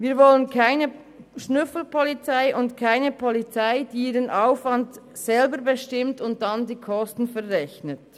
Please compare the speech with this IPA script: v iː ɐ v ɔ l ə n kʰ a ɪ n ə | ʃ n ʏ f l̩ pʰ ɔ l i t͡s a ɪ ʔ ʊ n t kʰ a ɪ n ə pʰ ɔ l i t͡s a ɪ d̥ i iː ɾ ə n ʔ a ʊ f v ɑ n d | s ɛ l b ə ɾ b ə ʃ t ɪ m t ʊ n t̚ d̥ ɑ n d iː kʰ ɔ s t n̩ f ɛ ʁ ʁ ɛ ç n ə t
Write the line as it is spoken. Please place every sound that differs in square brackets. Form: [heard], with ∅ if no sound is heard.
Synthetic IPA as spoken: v iː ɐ v ɔ l ə n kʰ a ɪ n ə | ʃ n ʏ f l̩ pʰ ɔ l i t͡s a ɪ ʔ ʊ n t kʰ a ɪ n ə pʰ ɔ l i t͡s a ɪ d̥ i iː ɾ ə n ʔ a ʊ f v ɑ n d | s ɛ l b ə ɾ b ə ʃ t ɪ m t ʊ n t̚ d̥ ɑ n d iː kʰ ɔ s t n̩ f ɛ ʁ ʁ ɛ ç n ə t